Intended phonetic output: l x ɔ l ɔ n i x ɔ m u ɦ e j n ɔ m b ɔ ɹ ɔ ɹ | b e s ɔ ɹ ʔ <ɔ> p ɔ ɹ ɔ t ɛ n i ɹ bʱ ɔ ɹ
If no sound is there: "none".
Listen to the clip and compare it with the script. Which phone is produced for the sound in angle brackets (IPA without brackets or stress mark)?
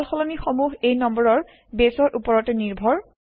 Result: u